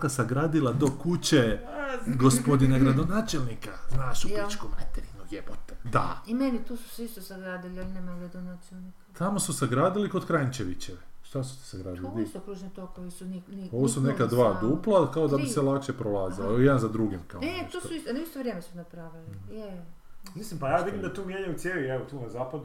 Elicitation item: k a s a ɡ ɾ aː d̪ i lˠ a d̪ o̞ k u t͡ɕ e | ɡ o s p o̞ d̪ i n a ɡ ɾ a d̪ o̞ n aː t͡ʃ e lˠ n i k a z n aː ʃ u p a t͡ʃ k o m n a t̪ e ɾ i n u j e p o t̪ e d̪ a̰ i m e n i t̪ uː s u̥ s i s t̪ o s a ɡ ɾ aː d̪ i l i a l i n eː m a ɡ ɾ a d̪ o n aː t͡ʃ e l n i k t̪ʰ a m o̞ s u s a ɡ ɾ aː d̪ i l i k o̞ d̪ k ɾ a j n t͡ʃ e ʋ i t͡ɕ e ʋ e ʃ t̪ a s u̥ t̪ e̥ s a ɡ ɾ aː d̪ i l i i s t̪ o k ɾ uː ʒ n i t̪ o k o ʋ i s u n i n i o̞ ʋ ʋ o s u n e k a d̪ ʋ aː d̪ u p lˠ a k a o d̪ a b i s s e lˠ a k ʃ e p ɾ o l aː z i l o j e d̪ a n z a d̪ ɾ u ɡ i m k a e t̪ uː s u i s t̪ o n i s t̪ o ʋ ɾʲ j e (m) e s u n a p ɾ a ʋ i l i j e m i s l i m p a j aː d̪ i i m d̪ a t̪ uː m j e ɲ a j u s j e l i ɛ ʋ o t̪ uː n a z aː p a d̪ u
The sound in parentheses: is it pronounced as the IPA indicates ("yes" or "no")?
yes